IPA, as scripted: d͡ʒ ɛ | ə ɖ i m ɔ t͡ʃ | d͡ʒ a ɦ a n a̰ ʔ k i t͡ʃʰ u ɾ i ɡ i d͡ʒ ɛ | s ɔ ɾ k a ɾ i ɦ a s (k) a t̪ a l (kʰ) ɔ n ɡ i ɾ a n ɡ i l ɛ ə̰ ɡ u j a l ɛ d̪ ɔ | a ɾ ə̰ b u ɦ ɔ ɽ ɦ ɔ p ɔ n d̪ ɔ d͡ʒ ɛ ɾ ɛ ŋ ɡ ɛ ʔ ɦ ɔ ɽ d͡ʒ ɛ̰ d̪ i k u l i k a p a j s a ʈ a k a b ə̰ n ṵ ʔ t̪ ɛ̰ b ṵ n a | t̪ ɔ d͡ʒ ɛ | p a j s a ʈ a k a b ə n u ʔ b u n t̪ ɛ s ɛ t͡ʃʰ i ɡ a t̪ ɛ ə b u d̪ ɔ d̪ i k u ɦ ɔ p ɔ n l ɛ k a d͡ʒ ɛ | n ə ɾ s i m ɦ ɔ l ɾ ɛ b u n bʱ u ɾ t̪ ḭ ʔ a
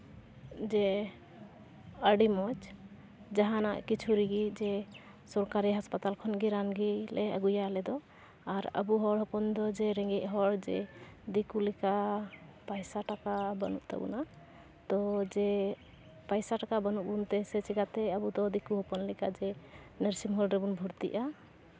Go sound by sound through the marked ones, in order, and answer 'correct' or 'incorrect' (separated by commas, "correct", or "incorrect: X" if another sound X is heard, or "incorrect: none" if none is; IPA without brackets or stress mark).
incorrect: p, correct